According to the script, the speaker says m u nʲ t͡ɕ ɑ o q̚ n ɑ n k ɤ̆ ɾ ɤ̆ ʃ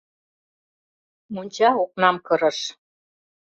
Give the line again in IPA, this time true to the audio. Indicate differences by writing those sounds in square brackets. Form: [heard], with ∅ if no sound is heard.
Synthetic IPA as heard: m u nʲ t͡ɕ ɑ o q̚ n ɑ [m] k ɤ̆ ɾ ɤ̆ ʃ